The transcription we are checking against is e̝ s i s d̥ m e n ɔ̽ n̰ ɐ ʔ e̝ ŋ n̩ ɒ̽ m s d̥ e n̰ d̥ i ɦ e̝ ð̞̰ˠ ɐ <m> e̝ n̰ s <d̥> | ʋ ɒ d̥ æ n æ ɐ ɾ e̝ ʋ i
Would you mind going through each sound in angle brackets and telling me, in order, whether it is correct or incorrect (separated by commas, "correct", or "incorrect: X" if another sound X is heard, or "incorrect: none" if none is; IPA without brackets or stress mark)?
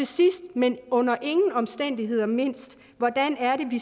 correct, correct